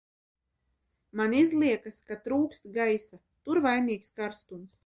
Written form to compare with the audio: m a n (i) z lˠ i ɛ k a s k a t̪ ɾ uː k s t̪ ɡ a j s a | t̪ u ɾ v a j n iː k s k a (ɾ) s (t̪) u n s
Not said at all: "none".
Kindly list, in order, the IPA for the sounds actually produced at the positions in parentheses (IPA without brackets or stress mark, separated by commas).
i, ɾ, t̪